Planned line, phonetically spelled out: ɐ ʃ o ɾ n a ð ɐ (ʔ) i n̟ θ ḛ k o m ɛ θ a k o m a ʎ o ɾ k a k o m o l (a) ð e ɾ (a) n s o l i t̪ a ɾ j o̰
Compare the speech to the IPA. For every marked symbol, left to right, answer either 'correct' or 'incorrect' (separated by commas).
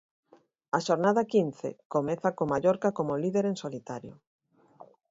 incorrect, incorrect, incorrect